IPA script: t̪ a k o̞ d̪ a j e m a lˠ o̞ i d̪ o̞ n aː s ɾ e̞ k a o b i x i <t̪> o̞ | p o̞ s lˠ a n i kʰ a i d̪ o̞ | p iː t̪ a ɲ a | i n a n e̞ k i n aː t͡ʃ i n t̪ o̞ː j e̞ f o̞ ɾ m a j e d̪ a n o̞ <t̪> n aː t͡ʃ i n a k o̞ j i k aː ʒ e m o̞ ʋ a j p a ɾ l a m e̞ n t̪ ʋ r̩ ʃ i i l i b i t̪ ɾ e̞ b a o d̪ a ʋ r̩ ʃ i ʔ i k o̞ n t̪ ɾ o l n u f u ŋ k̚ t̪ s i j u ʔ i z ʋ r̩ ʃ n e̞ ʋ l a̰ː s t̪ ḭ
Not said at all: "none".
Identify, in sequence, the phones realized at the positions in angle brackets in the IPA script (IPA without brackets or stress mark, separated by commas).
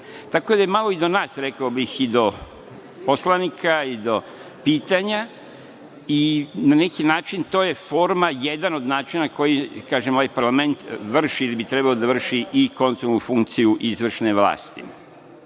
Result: d̪, d̪